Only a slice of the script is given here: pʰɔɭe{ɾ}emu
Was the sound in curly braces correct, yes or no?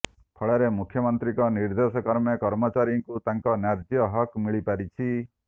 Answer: yes